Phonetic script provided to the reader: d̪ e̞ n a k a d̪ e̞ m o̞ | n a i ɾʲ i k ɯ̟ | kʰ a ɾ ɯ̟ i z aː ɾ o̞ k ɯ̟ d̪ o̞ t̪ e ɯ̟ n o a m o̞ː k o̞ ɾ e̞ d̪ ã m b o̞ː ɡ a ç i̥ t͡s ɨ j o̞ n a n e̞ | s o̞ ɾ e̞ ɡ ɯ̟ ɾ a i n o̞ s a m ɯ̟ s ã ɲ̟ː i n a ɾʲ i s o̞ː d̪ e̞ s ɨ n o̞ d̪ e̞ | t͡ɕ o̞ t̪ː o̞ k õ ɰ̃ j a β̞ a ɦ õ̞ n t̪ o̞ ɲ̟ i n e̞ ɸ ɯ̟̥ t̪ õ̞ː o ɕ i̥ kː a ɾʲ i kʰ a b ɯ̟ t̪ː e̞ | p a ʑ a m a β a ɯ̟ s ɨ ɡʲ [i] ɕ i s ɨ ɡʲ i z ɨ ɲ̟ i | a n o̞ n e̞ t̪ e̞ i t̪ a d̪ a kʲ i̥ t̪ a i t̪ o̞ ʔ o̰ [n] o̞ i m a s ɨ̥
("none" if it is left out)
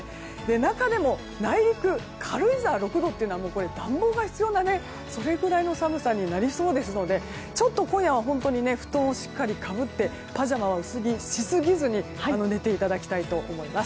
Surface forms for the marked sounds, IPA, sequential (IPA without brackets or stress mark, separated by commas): i, m